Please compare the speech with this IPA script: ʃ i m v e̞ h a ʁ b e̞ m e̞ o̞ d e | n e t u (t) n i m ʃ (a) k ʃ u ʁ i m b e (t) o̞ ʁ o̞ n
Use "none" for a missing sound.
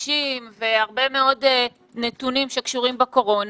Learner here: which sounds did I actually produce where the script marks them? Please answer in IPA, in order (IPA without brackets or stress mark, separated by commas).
none, e, k